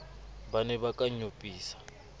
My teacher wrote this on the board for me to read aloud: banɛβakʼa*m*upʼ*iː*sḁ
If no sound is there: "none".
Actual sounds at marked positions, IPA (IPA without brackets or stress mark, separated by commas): ɲ, iː